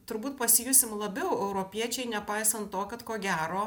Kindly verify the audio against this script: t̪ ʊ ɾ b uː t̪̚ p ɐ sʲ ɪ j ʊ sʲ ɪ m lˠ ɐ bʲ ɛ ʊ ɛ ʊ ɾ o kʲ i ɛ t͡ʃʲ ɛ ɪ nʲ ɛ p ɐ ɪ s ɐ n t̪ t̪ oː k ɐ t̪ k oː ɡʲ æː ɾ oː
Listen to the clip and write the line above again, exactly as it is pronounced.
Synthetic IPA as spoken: t̪ ʊ ɾ b uː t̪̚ p ɐ sʲ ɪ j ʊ sʲ ɪ m lˠ ɐ bʲ ɛ ʊ ɛ ʊ ɾ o pʲ i ɛ t͡ʃʲ ɛ ɪ nʲ ɛ p ɐ ɪ s ɐ n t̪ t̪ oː k ɐ t̪ k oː ɡʲ æː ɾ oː